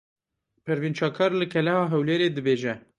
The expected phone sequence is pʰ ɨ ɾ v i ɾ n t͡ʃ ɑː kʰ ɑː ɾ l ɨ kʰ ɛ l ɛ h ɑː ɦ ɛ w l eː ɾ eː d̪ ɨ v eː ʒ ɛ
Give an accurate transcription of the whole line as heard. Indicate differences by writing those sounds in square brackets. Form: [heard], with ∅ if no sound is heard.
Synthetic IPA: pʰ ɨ ɾ v i [∅] n t͡ʃ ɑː kʰ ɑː ɾ l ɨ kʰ ɛ l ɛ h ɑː ɦ ɛ w l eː ɾ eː d̪ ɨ [b] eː ʒ ɛ